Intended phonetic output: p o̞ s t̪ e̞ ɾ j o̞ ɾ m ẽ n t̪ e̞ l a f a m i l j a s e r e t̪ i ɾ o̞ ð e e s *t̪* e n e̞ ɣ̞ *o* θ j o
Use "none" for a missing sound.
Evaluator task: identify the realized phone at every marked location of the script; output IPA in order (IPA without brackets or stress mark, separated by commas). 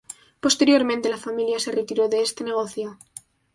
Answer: t̪, o